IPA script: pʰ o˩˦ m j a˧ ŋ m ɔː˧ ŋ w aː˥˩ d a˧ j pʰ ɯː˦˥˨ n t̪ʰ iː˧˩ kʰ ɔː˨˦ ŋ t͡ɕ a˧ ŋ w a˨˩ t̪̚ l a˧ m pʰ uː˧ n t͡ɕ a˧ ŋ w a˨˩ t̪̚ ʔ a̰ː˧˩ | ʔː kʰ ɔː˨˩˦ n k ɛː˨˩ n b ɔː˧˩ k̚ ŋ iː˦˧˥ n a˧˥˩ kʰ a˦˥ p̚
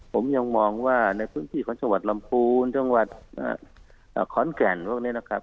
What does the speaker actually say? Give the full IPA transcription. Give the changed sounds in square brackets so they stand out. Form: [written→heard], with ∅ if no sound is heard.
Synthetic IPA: pʰ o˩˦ m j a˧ ŋ m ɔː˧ ŋ w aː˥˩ [d→n] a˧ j pʰ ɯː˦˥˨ n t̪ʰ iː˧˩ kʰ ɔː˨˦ ŋ t͡ɕ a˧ ŋ w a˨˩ t̪̚ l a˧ m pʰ uː˧ n t͡ɕ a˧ ŋ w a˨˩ t̪̚ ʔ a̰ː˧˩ | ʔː kʰ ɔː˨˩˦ n k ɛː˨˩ n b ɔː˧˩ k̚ [ŋ→n] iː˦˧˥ n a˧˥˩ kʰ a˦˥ p̚